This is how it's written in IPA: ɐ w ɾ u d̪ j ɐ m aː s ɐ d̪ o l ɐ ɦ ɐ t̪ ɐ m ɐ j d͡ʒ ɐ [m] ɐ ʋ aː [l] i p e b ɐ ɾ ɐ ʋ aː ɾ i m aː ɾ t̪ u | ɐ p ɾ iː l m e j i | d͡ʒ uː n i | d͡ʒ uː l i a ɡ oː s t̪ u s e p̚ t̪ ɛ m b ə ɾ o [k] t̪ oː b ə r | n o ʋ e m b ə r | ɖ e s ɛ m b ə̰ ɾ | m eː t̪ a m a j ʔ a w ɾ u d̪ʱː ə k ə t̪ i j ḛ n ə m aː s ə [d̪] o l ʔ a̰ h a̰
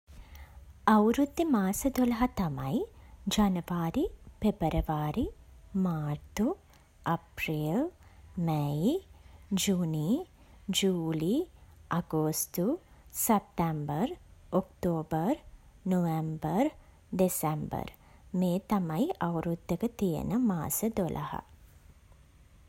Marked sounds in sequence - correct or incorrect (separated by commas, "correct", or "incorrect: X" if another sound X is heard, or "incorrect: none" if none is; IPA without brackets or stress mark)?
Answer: incorrect: n, incorrect: ɾ, correct, correct